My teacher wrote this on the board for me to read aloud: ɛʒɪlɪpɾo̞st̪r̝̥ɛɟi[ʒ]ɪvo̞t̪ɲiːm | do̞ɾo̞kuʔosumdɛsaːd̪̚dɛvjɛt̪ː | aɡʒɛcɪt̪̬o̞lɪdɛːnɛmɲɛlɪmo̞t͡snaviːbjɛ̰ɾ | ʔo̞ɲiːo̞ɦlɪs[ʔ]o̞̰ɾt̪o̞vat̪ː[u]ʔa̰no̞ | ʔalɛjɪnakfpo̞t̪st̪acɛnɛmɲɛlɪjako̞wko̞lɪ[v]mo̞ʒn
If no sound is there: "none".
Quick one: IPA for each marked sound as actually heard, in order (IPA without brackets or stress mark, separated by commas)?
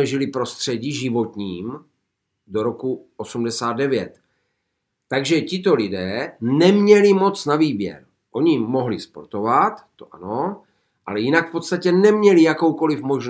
ʒ, p, o, f